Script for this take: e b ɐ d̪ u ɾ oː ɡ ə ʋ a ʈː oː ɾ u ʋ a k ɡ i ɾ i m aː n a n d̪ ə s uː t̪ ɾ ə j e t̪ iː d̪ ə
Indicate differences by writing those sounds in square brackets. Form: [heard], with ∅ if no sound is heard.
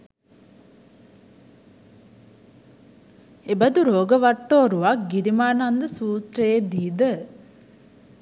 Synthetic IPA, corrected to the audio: e b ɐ d̪ u ɾ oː ɡ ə ʋ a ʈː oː ɾ u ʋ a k ɡ i ɾ i m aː n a n d̪ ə s uː t̪ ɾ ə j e [d̪] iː d̪ ə